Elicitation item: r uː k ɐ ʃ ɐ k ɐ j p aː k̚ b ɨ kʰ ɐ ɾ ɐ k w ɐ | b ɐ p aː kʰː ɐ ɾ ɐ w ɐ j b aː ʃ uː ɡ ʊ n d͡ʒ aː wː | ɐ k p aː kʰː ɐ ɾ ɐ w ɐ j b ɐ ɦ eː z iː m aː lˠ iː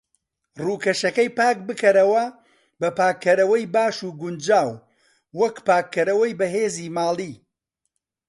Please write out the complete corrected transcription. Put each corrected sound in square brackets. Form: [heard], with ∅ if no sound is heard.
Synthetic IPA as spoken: r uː k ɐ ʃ ɐ k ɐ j p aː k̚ b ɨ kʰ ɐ ɾ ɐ [∅] w ɐ | b ɐ p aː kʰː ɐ ɾ ɐ w ɐ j b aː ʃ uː ɡ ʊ n d͡ʒ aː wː | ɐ k p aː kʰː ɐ ɾ ɐ w ɐ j b ɐ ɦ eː z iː m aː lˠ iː